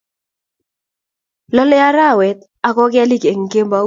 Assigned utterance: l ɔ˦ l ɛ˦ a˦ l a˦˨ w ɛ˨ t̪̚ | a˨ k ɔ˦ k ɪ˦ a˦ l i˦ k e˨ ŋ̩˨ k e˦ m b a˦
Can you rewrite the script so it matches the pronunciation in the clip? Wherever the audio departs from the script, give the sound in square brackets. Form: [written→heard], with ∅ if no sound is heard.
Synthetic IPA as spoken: l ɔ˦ l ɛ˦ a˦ [l→ɾ] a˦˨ w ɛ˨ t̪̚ | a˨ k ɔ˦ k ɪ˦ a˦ l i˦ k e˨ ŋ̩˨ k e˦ m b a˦